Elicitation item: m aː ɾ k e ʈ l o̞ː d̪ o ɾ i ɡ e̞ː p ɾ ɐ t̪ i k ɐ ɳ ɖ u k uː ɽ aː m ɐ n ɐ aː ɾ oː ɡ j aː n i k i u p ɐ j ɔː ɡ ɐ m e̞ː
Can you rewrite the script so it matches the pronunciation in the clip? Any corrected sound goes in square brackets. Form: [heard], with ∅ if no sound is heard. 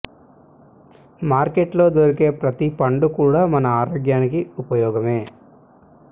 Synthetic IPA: m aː ɾ k e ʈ l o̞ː d̪ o ɾ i [k] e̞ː p ɾ ɐ t̪ i [p] ɐ ɳ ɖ u k uː ɽ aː m ɐ n ɐ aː ɾ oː ɡ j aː n i k i u p ɐ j ɔː ɡ ɐ m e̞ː